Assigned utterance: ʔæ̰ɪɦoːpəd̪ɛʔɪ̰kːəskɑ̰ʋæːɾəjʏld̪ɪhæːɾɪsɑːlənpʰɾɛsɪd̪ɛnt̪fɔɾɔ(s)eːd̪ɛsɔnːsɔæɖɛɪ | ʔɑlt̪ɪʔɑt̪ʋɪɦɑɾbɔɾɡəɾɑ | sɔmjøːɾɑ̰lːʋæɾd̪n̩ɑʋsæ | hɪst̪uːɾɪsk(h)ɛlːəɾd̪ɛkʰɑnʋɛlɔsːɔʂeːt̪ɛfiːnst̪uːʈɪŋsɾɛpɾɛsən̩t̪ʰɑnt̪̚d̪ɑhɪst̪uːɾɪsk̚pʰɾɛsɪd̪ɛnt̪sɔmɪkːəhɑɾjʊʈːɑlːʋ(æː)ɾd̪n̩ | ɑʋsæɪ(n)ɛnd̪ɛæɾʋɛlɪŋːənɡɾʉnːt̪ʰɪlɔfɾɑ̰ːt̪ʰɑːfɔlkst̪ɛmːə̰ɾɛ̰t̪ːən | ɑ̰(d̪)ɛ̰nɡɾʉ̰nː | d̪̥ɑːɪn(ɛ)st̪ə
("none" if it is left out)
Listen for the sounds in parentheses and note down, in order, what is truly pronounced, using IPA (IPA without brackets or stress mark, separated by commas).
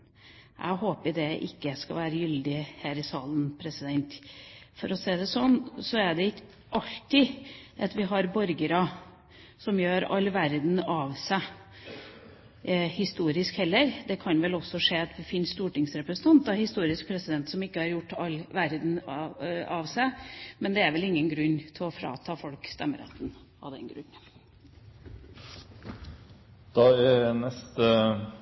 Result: s, h, æ, m, d̪, ɛ